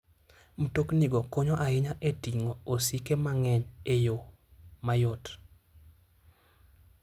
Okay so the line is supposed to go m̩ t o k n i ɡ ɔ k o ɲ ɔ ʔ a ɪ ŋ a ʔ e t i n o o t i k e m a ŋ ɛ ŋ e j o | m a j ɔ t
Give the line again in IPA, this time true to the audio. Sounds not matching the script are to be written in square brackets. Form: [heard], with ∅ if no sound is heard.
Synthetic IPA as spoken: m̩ t o k n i ɡ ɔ k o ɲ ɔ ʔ a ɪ [ɲ] a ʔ e t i [ŋ] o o [s] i k e m a ŋ ɛ [ɲ] e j o | m a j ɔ t